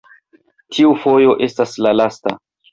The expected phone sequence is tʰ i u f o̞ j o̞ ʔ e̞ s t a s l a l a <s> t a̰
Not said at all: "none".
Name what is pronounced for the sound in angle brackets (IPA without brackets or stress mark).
s